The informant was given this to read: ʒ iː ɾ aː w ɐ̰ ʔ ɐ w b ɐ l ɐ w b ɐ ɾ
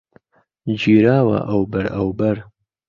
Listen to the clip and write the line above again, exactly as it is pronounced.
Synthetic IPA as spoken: d͡ʒ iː ɾ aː w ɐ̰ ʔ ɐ w b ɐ ɾ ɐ w b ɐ ɾ